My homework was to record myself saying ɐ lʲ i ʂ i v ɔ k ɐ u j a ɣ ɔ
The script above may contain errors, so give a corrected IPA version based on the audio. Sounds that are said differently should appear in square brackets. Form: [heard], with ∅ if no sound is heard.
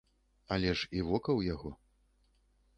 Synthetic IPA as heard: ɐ lʲ [ɛ] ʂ i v ɔ k ɐ [w] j a ɣ ɔ